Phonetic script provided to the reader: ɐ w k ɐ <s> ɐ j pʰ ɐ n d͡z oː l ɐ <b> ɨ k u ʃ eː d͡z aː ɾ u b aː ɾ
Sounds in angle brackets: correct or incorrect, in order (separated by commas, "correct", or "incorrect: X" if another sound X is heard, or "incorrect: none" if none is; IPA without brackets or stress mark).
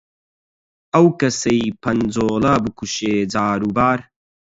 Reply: correct, correct